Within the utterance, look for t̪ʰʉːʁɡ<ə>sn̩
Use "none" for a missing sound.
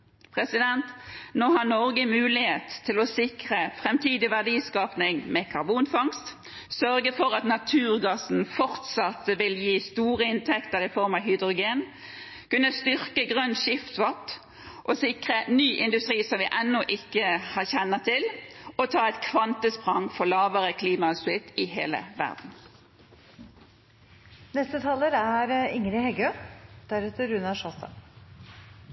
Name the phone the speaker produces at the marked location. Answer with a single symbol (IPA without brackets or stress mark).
ɑ